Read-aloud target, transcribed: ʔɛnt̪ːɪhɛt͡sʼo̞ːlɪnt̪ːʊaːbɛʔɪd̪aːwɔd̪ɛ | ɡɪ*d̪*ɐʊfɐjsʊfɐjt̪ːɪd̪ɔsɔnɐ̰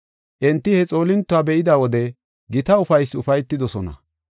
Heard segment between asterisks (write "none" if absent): t̪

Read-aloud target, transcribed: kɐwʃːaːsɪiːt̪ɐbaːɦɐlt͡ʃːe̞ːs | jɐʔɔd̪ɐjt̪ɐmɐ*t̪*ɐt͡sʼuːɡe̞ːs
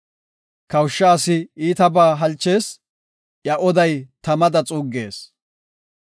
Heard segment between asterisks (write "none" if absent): d̪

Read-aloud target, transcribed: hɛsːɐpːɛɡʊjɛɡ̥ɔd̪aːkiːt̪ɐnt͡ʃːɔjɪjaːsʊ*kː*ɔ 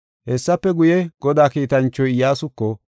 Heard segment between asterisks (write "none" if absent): kː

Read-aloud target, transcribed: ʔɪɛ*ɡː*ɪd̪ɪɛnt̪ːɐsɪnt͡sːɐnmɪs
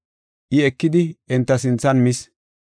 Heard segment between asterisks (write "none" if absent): kː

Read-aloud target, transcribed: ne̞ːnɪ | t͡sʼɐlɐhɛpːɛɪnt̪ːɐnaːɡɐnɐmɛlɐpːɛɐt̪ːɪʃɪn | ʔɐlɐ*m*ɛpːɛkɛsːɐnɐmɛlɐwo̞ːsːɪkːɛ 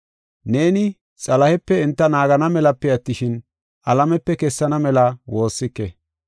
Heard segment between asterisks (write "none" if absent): m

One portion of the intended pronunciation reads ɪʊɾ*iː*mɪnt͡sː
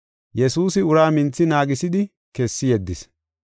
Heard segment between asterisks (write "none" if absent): aː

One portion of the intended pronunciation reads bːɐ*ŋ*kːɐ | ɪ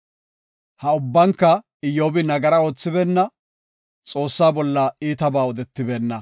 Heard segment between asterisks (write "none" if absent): ŋ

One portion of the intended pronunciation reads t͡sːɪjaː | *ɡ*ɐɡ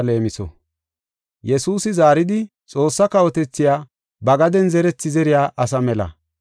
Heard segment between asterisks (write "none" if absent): b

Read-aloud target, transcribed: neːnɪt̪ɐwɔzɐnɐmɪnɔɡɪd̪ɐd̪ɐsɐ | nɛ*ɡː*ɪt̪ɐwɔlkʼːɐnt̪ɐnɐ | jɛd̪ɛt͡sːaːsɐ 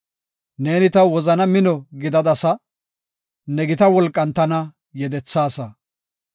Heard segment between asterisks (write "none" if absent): ɡ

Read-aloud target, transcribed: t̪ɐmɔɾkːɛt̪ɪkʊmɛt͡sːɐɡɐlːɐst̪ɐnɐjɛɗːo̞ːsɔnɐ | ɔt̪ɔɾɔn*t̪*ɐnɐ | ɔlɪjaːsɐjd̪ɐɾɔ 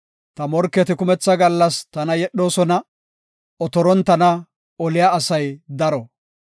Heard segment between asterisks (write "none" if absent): t̪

